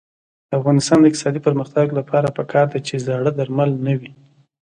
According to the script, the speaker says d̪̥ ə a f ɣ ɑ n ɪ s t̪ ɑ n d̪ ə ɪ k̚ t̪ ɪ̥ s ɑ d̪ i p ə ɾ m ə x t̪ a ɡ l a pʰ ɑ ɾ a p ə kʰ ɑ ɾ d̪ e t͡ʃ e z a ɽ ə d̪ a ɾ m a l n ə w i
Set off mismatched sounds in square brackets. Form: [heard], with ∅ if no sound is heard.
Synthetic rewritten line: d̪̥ ə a f ɣ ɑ n ɪ s t̪ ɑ n d̪ ə ɪ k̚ t̪ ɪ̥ s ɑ d̪ i p ə ɾ m ə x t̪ a ɡ l a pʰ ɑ ɾ a p ə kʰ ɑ ɾ d̪ [a] t͡ʃ e z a ɽ ə d̪ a ɾ m a l n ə w i